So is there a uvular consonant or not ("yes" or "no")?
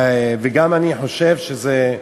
no